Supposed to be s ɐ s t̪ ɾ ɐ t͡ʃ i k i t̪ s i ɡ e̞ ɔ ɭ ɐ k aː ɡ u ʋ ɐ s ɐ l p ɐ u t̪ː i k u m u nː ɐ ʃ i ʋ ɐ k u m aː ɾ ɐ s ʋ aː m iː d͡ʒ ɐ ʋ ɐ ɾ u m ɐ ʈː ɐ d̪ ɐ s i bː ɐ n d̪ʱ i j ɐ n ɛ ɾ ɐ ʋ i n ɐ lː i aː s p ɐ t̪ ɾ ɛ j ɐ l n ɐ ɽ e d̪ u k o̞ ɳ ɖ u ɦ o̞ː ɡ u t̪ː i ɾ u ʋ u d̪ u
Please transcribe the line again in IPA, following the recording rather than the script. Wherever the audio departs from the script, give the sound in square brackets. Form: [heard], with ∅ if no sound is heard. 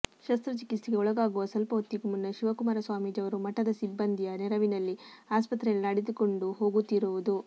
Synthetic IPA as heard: [ʃ] ɐ s t̪ ɾ ɐ t͡ʃ i k i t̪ s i ɡ e̞ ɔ ɭ ɐ [ɡ] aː ɡ u ʋ ɐ s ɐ l p ɐ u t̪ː i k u m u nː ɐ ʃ i ʋ ɐ k u m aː ɾ ɐ s ʋ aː m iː d͡ʒ ɐ ʋ ɐ ɾ u m ɐ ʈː ɐ d̪ ɐ s i bː ɐ n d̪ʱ i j ɐ n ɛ ɾ ɐ ʋ i n ɐ lː i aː s p ɐ t̪ ɾ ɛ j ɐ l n ɐ ɽ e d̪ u k o̞ ɳ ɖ u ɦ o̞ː ɡ u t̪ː i ɾ u ʋ u d̪ u

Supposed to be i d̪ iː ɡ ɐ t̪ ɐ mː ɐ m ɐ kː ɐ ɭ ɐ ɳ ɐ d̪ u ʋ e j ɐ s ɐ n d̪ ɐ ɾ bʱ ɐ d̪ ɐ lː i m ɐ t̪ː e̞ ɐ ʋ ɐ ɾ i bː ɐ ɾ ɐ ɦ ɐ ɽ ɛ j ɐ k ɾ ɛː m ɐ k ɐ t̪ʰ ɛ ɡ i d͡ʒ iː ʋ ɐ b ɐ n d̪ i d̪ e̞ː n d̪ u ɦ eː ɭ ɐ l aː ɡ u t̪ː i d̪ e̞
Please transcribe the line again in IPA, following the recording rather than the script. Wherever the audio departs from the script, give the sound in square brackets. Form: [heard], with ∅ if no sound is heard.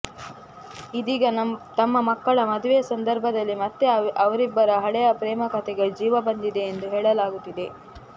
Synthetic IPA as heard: i d̪ iː ɡ ɐ t̪ ɐ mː ɐ m ɐ kː ɐ ɭ ɐ [m] ɐ d̪ u ʋ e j ɐ s ɐ n d̪ ɐ ɾ bʱ ɐ d̪ ɐ lː i m ɐ t̪ː e̞ ɐ ʋ ɐ ɾ i bː ɐ ɾ ɐ ɦ ɐ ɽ ɛ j ɐ [p] ɾ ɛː m ɐ k ɐ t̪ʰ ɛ ɡ [e] d͡ʒ iː ʋ ɐ b ɐ n d̪ i d̪ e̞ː n d̪ u ɦ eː ɭ ɐ l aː ɡ u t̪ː i d̪ e̞

